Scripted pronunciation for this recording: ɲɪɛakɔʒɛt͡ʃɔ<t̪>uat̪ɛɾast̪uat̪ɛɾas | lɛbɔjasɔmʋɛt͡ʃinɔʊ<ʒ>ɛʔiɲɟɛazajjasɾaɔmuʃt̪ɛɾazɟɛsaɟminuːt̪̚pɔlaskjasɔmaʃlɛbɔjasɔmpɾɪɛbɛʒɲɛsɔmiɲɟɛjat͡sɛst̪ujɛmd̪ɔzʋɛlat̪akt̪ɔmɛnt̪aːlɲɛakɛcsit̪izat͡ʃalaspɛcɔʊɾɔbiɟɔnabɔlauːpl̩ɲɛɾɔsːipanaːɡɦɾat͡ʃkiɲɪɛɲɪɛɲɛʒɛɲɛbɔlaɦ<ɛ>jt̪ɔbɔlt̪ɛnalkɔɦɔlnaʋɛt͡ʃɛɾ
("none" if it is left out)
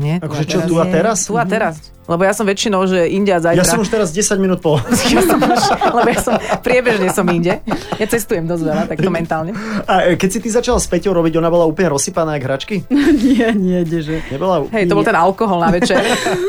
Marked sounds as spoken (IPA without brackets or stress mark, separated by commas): t̪, ʒ, ɛ